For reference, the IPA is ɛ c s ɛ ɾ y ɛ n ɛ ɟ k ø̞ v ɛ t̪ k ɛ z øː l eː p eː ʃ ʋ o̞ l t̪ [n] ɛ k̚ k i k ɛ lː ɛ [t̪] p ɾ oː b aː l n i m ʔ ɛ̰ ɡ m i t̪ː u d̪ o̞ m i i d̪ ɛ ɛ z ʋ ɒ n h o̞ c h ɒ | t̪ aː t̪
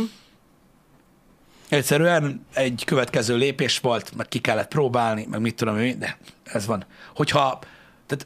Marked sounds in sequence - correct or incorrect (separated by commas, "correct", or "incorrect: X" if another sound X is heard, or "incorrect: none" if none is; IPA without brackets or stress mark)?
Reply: incorrect: m, correct